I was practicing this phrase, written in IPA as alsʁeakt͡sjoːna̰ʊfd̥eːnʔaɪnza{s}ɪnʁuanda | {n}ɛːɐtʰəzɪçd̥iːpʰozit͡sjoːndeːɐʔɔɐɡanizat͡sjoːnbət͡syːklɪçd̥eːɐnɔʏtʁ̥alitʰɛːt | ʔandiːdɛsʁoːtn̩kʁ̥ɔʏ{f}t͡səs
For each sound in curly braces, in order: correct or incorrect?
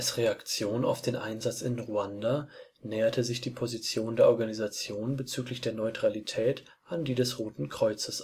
incorrect: t͡s, correct, incorrect: none

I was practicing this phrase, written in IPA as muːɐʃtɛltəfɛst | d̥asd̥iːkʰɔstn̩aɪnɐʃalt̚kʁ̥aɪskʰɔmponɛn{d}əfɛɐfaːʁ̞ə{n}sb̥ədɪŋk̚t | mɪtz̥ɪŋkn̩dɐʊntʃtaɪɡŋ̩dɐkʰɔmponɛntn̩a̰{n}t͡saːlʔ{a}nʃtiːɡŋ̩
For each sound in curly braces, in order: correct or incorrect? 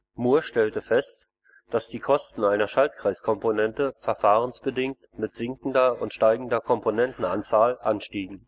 incorrect: t, correct, correct, correct

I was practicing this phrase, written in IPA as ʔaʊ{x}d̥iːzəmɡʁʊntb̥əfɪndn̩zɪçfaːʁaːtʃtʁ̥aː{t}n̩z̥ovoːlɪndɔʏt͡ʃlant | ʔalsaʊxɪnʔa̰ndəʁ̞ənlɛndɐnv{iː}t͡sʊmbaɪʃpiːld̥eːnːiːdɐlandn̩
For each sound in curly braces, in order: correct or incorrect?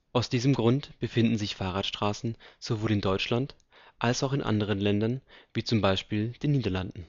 incorrect: s, incorrect: s, correct

